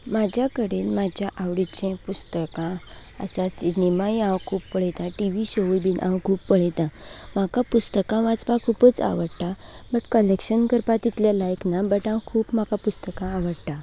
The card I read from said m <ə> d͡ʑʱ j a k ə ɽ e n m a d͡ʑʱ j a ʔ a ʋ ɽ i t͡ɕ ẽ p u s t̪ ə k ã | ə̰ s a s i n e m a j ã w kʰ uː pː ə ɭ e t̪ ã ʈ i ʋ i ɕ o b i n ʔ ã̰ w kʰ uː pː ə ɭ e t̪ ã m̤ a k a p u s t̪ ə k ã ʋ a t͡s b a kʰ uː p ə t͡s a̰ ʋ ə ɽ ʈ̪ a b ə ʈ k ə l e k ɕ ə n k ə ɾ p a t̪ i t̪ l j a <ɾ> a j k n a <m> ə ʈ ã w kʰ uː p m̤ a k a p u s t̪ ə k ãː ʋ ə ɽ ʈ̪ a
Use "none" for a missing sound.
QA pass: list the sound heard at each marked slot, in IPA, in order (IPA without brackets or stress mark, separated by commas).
a, l, b